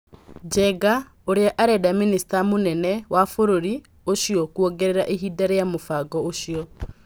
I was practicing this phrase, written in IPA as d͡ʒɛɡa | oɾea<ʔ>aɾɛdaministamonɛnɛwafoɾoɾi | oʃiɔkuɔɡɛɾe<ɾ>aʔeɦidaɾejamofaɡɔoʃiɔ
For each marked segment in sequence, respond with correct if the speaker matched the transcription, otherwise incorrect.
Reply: correct, correct

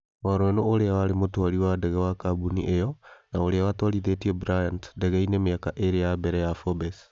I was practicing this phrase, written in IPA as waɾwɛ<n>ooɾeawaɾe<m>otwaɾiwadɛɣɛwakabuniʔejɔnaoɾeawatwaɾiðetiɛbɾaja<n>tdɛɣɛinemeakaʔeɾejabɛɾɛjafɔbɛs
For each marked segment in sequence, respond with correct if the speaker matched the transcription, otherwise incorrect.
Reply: correct, correct, correct

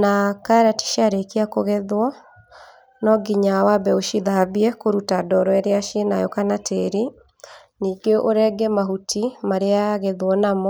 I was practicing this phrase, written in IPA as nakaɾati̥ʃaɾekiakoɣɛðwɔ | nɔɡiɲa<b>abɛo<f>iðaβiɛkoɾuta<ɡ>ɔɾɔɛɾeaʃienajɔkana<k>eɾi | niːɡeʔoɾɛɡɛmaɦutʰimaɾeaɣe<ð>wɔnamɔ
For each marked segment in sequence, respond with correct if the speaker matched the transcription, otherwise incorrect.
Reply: incorrect: w, incorrect: ʃ, incorrect: d, incorrect: t, correct

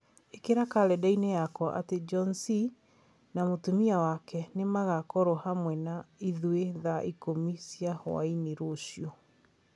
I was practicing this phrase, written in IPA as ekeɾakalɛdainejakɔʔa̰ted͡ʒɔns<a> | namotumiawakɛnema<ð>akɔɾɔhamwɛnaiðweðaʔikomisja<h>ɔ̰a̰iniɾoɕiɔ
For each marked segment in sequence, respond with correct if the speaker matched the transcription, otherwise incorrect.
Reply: incorrect: i, incorrect: ɣ, correct

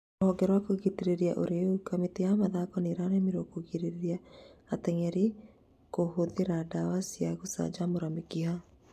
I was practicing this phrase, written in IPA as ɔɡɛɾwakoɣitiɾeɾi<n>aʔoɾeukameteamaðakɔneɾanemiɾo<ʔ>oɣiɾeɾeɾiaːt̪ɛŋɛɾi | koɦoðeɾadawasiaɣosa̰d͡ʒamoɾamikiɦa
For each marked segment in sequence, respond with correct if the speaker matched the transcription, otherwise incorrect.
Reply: incorrect: none, incorrect: k

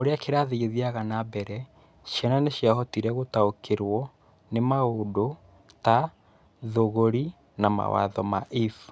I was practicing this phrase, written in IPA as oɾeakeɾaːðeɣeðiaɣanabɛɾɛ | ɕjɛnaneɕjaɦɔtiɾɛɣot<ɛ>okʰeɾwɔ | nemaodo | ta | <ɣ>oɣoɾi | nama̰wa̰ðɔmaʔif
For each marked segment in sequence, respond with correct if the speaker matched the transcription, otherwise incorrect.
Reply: incorrect: a, incorrect: ð

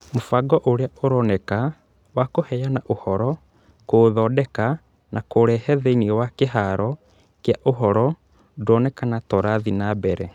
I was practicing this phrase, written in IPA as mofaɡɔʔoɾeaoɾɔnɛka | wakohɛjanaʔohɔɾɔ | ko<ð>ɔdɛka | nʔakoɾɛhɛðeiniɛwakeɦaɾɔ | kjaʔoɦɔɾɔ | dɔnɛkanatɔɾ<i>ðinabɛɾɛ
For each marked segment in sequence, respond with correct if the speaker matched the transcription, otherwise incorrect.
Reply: correct, incorrect: a

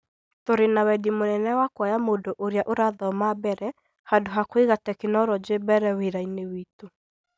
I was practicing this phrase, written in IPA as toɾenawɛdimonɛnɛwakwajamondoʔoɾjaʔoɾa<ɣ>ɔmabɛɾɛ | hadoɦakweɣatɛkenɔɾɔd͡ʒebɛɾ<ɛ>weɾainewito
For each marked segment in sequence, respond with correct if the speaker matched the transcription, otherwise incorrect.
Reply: incorrect: ð, correct

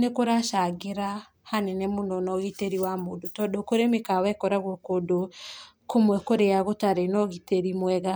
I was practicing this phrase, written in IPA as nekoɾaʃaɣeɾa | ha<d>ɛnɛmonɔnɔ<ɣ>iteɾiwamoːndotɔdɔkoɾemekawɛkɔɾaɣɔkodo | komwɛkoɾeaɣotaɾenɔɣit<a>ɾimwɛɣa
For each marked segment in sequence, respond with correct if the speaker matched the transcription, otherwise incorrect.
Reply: incorrect: n, correct, incorrect: e

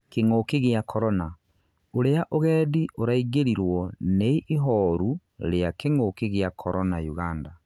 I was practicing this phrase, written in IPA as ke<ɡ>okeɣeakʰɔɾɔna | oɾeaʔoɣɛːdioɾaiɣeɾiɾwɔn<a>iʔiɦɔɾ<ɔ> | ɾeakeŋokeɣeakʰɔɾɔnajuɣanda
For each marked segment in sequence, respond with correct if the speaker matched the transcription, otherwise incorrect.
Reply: incorrect: ŋ, incorrect: e, incorrect: u

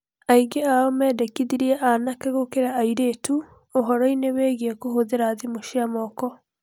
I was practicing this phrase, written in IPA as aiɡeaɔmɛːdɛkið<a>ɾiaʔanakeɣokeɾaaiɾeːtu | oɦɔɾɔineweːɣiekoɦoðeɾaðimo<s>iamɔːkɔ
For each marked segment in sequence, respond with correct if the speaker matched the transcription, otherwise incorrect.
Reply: incorrect: i, incorrect: ʃ

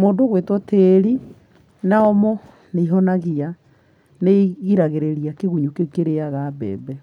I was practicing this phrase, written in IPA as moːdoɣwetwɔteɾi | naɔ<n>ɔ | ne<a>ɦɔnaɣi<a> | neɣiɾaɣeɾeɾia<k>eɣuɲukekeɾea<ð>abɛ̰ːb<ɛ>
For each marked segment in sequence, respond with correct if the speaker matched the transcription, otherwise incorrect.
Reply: incorrect: m, incorrect: i, correct, correct, incorrect: ɣ, correct

